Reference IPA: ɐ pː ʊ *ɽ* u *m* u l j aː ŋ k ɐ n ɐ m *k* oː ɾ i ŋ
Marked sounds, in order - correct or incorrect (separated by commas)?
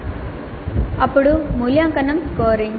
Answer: correct, correct, correct